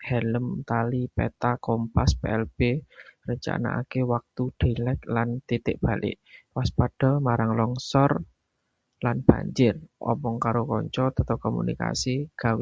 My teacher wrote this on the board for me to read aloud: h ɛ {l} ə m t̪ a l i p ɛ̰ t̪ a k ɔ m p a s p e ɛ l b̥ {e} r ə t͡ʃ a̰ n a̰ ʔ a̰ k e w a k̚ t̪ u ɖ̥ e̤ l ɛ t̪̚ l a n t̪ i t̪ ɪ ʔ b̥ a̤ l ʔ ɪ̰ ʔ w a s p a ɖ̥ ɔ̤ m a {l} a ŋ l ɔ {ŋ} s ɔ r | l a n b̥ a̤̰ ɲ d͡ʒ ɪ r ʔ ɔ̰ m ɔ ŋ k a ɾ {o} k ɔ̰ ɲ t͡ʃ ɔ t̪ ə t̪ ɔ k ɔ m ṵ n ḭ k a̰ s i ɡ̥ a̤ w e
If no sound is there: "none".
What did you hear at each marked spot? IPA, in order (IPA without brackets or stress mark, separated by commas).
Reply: l, e, ɾ, ŋ, o